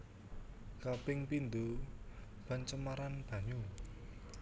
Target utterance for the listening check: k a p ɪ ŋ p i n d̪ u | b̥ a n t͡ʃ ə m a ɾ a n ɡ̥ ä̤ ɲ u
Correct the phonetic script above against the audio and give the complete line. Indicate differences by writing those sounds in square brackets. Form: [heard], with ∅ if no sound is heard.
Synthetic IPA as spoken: k a p ɪ ŋ p i n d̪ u | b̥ a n t͡ʃ ə m a ɾ a n [b̥] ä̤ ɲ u